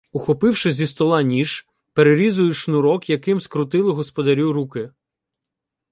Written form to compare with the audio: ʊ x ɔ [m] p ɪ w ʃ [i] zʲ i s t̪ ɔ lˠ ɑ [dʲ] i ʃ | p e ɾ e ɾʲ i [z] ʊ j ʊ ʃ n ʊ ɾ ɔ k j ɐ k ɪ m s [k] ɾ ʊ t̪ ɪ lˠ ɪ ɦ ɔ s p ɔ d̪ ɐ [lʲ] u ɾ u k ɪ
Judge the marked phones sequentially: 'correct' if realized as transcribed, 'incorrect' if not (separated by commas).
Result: incorrect, incorrect, incorrect, correct, correct, incorrect